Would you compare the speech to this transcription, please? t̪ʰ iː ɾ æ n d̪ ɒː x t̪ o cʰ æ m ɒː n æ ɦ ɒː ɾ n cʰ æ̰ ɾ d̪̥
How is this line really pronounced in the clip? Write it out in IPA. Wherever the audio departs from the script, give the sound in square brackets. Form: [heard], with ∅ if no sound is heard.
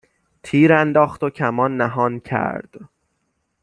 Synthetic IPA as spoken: t̪ʰ iː ɾ æ n d̪ ɒː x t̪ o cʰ æ m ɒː [nː] æ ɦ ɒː [∅] n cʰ æ̰ ɾ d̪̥